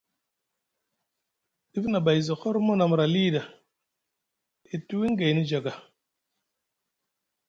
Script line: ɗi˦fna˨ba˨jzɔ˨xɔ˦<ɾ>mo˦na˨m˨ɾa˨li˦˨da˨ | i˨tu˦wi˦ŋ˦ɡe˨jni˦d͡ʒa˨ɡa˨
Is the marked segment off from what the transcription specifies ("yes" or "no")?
no